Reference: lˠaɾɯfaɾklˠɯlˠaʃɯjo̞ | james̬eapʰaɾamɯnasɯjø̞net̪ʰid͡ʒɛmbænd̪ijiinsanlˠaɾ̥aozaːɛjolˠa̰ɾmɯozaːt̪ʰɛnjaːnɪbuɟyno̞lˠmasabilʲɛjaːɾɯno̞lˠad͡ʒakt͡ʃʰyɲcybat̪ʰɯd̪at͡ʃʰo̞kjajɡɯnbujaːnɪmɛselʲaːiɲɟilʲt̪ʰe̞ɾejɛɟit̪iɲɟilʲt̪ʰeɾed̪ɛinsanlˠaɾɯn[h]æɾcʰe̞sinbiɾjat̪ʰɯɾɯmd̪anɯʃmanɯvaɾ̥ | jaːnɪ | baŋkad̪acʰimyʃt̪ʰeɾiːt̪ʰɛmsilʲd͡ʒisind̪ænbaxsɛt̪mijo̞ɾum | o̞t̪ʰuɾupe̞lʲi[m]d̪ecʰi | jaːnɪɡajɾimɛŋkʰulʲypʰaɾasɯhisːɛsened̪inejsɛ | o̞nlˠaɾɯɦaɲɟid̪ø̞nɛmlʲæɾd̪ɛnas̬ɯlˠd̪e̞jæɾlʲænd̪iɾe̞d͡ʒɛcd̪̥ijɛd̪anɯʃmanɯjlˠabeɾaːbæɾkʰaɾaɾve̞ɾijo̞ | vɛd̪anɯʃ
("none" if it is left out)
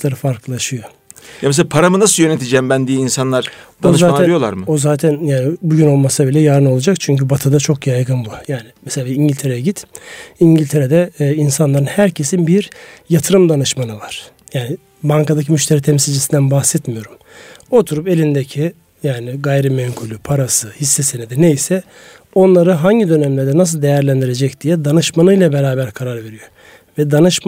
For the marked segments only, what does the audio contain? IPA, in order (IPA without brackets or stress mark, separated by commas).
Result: h, n